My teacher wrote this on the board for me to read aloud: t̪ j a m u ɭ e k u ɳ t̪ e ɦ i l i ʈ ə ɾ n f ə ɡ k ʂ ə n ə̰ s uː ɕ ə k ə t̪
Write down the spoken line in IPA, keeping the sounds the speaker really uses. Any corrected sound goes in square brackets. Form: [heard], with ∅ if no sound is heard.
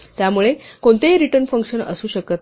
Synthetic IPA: t̪ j a m u ɭ e k [o] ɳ t̪ e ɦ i [ɾ] i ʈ ə ɾ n f ə [ŋ] k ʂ ə n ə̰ s uː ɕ ə k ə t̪